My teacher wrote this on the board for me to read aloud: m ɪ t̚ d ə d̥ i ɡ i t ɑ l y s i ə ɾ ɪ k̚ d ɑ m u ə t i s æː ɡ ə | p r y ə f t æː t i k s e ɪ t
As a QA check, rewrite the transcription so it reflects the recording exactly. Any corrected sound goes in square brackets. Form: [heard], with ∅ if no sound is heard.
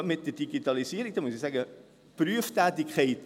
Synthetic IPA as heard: m ɪ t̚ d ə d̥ i ɡ i t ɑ l [i] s i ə ɾ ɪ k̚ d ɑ m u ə [s] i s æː ɡ ə | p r y ə f t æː t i k [χ] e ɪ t